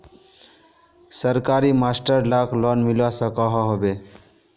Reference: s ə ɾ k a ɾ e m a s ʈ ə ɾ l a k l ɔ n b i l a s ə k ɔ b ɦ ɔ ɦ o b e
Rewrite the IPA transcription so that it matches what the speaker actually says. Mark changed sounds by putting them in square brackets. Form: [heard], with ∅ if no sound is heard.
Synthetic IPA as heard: s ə ɾ k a ɾ [i] m a s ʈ ə ɾ l a k l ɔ n [m] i l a s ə k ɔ [∅] ɦ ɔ ɦ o b e

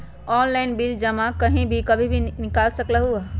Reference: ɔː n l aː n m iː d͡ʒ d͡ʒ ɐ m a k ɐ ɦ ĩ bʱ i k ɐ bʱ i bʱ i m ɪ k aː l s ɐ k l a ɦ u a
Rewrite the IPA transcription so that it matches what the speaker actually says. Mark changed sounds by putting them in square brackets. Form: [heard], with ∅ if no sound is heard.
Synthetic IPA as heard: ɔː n l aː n [b] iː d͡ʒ d͡ʒ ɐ m a k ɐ ɦ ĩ bʱ i k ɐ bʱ i bʱ i [n] ɪ k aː l s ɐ k l a ɦ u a

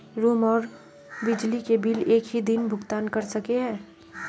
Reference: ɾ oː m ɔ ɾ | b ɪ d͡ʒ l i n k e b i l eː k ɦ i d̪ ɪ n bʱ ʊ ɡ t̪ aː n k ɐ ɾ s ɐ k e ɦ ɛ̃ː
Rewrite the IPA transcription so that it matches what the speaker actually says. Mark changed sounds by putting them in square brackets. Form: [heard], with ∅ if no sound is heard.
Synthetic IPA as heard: ɾ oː m [ɔː] ɾ | b ɪ d͡ʒ l i [∅] k e b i l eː k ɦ i d̪ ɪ n bʱ ʊ ɡ t̪ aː n k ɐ ɾ s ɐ k e ɦ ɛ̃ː

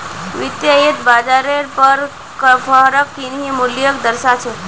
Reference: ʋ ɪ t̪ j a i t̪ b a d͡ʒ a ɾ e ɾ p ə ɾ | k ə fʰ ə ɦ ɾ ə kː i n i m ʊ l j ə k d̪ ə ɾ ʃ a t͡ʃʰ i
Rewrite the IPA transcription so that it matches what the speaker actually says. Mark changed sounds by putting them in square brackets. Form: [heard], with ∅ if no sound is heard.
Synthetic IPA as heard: ʋ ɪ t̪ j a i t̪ b a d͡ʒ a ɾ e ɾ p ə ɾ | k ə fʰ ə ɦ ɾ ə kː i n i m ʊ l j ə k d̪ ə ɾ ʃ a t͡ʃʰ [e]

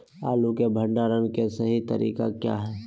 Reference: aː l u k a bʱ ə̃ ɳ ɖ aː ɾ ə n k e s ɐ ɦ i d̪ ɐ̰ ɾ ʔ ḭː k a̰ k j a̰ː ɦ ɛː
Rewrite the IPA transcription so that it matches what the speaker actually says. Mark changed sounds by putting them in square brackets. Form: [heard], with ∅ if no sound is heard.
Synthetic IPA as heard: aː l u k [e] bʱ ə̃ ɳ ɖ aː ɾ ə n k e s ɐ ɦ i [t̪] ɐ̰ ɾ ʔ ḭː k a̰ k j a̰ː ɦ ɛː

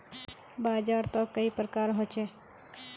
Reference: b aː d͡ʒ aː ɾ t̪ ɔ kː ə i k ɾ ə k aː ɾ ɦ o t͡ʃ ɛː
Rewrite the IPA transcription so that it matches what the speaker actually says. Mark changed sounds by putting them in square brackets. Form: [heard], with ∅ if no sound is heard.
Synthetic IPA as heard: b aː d͡ʒ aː ɾ t̪ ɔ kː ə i [p] ɾ ə k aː ɾ ɦ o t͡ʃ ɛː

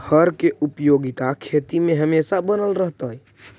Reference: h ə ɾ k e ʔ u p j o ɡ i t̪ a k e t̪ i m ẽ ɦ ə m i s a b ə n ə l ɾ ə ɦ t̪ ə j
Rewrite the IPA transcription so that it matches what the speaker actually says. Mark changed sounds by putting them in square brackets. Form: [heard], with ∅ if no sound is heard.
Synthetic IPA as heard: h ə ɾ k e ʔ u p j o ɡ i t̪ a [kʰ] e t̪ i m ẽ ɦ ə m [e] s a b ə n ə l ɾ ə ɦ t̪ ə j

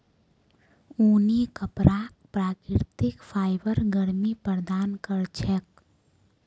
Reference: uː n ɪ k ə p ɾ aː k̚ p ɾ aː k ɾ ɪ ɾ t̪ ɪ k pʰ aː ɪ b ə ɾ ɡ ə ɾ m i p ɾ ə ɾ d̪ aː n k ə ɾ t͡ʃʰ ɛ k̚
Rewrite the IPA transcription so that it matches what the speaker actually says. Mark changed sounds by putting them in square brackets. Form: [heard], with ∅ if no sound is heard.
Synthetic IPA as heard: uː n [i] k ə p ɾ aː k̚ p ɾ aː k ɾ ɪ ɾ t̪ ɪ k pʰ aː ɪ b ə ɾ ɡ ə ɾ m i p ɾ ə ɾ d̪ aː n k ə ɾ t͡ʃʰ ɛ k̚

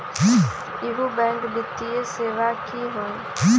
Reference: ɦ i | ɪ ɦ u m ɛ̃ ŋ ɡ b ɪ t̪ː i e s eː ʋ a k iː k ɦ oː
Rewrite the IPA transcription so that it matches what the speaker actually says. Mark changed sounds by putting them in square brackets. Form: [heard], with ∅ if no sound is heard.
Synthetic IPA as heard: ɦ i | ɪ ɦ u [b] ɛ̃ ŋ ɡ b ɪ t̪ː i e s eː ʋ a k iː [∅] ɦ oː

